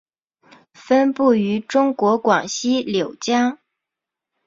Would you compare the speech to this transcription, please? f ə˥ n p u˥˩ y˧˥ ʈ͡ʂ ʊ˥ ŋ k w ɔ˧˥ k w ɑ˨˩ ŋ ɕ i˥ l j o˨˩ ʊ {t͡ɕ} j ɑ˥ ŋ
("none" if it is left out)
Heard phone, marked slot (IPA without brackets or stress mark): t͡ɕ